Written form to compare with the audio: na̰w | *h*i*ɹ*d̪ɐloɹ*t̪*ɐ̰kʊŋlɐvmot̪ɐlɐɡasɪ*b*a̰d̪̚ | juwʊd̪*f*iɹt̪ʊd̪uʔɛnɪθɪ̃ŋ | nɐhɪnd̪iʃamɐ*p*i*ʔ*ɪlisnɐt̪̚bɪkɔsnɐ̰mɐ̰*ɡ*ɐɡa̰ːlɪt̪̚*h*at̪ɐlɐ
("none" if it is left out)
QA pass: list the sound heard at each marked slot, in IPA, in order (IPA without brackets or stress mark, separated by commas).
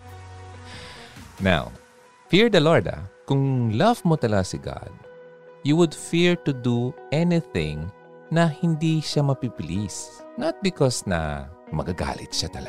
f, ɹ, d̪, ɡ, f, p, p, ɡ, ʃ